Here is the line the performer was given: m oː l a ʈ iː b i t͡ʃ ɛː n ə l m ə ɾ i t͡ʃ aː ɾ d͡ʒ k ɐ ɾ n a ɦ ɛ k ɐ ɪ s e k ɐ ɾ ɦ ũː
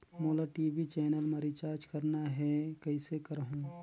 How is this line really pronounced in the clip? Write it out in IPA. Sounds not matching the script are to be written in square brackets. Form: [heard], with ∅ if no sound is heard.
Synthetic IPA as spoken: m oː l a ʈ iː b i t͡ʃ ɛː n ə l m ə ɾ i t͡ʃ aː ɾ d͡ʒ k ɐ ɾ n a ɦ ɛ k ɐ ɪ s e k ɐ ɾ ɦ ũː